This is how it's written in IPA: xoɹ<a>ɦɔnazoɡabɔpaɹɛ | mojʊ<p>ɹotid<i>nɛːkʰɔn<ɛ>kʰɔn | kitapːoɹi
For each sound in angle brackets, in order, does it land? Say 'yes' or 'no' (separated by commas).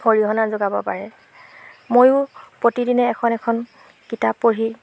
no, yes, yes, yes